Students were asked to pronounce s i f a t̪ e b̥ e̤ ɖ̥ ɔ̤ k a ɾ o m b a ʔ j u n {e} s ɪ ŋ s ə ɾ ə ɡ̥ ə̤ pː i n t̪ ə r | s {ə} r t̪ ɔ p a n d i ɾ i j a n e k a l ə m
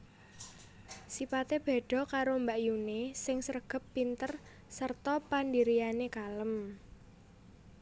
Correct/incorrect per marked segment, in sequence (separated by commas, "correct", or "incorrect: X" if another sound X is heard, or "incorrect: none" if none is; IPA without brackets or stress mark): correct, correct